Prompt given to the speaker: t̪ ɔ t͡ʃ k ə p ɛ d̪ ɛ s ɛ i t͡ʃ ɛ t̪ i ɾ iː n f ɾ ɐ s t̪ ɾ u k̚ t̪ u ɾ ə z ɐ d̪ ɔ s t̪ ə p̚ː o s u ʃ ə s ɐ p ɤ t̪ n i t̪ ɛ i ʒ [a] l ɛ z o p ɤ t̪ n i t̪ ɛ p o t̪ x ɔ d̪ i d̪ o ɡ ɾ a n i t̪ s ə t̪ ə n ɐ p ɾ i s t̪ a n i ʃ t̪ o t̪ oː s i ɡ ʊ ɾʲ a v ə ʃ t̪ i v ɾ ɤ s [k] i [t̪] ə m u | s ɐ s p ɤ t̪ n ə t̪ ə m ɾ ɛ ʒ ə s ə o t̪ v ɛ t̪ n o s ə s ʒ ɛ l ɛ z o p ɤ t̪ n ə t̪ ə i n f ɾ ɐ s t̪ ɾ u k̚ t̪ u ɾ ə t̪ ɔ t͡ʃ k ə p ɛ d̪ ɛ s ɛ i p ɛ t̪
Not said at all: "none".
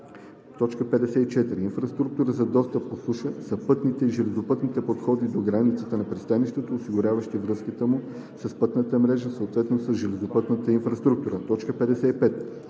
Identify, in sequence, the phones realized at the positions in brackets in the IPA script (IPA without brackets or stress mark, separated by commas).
ɛ, k, t̪